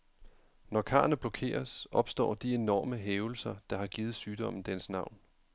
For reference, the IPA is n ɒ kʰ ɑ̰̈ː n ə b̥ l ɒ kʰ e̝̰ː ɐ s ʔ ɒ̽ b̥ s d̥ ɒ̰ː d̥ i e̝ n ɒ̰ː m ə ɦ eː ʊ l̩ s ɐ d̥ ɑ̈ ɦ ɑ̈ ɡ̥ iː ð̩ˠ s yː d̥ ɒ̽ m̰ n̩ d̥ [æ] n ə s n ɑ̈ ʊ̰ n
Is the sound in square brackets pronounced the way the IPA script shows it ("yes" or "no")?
no